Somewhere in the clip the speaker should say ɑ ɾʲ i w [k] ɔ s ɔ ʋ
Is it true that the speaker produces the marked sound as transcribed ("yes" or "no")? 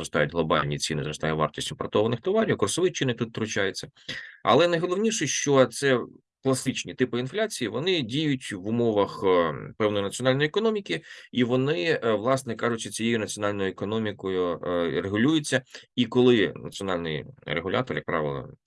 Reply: yes